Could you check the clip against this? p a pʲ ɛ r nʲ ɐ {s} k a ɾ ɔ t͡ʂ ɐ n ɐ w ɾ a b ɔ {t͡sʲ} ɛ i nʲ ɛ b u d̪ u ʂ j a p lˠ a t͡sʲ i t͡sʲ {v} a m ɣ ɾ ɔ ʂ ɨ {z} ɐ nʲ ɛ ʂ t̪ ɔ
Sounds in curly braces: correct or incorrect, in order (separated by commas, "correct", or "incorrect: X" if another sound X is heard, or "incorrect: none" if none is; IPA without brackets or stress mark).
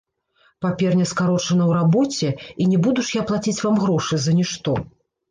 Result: correct, correct, correct, correct